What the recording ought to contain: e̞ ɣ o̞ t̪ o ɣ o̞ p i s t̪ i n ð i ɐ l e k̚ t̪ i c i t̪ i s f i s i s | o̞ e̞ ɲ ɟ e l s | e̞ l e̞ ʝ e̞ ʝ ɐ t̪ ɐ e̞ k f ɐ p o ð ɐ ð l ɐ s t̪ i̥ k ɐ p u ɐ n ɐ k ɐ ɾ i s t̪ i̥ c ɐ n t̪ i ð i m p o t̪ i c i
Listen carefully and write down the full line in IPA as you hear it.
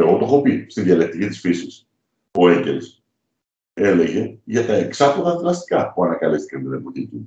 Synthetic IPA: e̞ ɣ o̞ t̪ o x o̞ p i s t̪ i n ð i ɐ l e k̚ t̪ i c i t̪ i s f i s i s | o̞ e̞ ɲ ɟ e l s | e̞ l e̞ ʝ e̞ ʝ ɐ t̪ ɐ e̞ k s ɐ p o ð ɐ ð l ɐ s t̪ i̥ k ɐ p u ɐ n ɐ k ɐ l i s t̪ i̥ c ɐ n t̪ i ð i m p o t̪ i c i